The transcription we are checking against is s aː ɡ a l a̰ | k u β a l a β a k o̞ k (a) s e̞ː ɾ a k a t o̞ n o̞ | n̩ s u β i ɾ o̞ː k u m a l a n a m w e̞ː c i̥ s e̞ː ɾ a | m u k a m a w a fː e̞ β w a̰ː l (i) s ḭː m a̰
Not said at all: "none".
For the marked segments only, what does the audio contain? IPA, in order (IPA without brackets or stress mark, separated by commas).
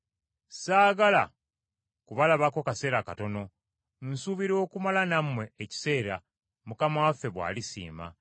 a, i